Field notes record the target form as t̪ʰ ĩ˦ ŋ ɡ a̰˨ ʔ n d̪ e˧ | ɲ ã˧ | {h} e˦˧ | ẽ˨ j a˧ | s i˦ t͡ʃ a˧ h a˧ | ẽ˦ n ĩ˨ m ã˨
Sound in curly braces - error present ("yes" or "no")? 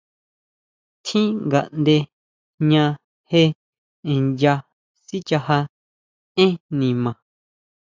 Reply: no